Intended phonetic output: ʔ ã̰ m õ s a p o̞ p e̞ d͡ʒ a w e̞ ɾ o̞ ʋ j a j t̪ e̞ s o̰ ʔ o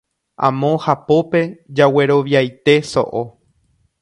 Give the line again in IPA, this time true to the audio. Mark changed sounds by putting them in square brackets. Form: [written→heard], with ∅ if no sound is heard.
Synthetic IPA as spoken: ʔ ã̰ m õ [s→h] a p o̞ p e̞ d͡ʒ a w e̞ ɾ o̞ ʋ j a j t̪ e̞ s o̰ ʔ o